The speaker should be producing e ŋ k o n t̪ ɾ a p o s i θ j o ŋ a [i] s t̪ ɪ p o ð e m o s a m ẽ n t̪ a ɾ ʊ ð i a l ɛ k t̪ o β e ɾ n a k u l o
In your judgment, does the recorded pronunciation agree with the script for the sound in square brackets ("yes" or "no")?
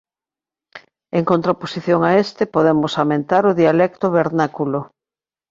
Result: no